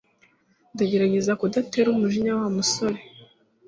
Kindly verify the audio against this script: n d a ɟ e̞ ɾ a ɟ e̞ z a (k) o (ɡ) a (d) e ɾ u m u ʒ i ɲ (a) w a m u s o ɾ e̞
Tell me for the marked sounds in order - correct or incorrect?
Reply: correct, incorrect: d, incorrect: t, correct

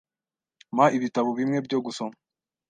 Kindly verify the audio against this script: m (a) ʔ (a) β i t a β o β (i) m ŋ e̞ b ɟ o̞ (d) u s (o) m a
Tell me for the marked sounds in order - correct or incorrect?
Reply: correct, incorrect: i, correct, incorrect: ɡ, correct

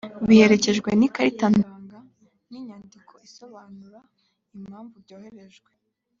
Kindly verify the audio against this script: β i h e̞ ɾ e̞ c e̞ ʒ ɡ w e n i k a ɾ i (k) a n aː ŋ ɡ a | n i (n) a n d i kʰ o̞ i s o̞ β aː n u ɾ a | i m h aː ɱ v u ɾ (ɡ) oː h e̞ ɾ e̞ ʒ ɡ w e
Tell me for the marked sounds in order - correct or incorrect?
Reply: incorrect: t, incorrect: ɲ, incorrect: ɟ

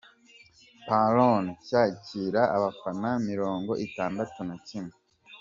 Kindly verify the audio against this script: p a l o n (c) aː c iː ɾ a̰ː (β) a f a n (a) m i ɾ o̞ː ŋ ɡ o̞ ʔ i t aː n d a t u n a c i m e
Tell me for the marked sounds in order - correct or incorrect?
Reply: correct, correct, correct

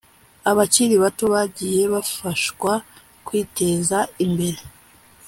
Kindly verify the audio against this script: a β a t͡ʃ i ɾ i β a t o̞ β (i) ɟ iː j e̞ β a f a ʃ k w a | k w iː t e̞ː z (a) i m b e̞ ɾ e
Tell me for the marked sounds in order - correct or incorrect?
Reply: incorrect: a, correct

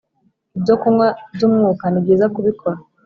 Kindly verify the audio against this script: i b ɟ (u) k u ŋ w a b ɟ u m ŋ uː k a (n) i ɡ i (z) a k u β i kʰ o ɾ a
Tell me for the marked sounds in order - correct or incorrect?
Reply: incorrect: o, correct, correct

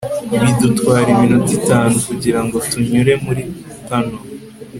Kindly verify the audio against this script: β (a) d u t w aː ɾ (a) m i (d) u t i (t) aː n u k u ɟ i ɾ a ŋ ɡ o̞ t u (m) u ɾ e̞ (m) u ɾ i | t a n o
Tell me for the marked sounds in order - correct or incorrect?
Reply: incorrect: i, incorrect: i, incorrect: n, correct, incorrect: ɲ, correct

